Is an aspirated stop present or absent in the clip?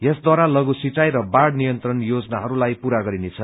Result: present